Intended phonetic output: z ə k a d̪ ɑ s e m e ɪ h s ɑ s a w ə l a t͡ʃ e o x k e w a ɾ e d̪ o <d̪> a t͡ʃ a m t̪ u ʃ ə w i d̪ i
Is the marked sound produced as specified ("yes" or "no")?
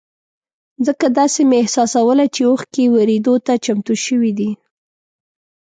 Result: no